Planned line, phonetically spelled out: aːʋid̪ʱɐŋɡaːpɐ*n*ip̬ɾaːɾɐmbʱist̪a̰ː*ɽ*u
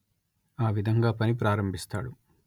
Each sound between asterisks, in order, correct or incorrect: correct, correct

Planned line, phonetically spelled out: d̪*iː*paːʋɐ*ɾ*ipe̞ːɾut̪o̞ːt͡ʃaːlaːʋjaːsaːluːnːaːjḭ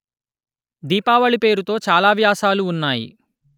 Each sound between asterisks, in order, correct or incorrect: correct, incorrect

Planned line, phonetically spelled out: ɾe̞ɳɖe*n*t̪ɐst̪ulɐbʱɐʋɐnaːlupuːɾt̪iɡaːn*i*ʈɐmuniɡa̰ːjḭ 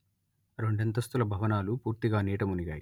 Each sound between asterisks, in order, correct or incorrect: correct, incorrect

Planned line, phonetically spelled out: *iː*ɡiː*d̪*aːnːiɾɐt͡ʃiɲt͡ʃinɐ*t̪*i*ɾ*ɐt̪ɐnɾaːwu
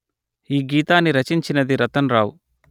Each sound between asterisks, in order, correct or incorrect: correct, incorrect, incorrect, correct

